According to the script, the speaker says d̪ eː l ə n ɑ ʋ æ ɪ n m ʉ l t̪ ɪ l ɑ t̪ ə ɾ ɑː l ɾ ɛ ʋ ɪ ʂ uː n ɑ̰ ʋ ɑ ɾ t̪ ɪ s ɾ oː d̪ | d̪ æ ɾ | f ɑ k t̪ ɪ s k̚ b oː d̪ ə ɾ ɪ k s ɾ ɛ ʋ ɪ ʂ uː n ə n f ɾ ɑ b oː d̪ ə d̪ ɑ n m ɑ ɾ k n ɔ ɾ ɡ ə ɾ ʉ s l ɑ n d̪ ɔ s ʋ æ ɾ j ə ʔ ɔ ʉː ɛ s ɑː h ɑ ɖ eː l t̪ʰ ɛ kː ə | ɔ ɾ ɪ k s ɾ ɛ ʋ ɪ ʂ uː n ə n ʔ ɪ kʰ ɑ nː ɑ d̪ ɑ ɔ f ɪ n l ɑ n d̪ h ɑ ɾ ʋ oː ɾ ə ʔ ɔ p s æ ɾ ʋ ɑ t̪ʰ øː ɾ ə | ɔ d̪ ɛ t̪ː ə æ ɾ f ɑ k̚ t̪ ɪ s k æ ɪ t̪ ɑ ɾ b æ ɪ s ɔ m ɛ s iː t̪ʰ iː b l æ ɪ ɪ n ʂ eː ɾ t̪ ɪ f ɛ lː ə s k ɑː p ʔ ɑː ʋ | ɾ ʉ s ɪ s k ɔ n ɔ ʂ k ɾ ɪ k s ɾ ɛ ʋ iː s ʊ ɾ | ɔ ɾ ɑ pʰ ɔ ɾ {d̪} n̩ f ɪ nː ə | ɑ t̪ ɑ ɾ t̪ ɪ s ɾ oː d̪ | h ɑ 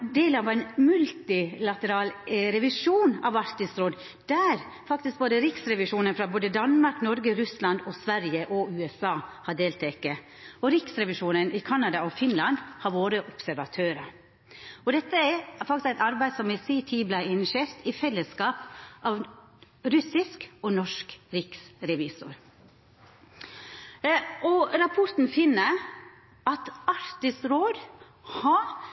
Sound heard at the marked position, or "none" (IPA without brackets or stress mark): t̪